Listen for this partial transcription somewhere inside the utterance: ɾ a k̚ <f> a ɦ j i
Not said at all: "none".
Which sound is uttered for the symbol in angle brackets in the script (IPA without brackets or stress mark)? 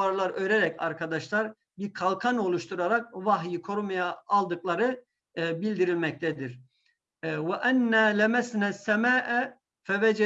v